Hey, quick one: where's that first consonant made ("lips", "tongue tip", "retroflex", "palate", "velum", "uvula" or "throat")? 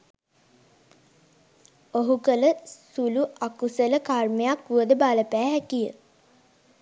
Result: throat